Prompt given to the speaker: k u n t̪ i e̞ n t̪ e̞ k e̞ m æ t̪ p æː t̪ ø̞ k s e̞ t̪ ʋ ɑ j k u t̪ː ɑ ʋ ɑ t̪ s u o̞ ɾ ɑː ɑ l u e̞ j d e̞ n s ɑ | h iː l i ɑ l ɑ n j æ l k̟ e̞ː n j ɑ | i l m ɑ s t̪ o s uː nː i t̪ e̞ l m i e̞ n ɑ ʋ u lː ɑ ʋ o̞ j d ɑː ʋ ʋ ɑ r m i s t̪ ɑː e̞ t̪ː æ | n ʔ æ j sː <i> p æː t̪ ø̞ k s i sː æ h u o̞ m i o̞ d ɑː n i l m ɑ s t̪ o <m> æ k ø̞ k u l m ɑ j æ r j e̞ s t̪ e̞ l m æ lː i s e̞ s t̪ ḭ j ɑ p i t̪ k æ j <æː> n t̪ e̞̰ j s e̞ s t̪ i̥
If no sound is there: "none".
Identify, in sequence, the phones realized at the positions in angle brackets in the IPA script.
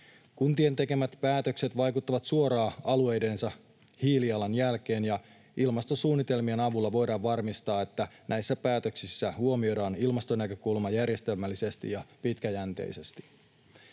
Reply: æ, n, æ

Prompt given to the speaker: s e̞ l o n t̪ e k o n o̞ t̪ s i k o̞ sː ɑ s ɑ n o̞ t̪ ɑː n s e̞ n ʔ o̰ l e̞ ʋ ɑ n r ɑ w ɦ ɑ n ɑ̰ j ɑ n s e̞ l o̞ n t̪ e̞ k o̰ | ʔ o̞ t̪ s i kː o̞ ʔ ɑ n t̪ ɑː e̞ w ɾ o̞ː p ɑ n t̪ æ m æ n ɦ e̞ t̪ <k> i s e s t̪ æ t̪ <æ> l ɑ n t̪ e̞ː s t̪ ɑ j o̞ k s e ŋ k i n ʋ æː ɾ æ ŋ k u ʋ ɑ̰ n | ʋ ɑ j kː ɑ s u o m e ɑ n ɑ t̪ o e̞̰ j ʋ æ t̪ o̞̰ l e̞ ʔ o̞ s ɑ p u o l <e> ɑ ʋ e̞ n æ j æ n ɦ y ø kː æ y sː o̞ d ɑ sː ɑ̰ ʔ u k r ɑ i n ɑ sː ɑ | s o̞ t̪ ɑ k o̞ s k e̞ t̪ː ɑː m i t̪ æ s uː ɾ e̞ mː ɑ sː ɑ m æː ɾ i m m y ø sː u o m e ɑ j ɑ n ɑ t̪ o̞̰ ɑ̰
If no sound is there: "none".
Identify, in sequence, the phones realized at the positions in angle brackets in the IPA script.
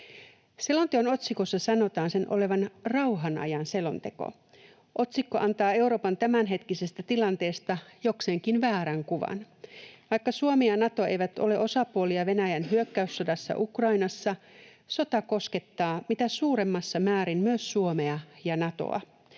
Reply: k, i, i

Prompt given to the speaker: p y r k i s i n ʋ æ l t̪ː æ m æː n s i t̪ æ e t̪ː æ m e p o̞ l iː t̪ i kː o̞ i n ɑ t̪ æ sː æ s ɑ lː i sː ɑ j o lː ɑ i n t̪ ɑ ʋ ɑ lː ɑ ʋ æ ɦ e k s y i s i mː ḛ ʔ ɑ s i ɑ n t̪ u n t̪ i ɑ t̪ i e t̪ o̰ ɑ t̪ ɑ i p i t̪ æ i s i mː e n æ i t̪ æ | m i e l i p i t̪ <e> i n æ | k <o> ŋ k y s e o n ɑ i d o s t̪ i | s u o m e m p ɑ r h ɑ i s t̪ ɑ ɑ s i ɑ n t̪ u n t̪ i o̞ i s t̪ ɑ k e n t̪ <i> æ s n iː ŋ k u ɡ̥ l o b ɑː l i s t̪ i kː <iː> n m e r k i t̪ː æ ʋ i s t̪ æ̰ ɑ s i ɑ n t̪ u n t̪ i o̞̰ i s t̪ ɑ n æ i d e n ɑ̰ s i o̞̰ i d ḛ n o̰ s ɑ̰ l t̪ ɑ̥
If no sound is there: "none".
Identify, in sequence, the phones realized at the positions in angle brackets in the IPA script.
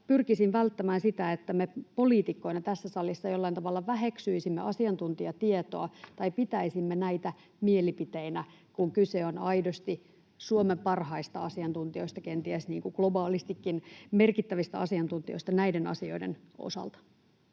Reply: e, u, i, i

